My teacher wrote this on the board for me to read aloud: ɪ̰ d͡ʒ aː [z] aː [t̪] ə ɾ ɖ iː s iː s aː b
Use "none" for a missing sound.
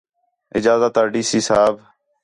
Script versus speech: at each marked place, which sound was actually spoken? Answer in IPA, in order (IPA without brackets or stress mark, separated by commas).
z, t̪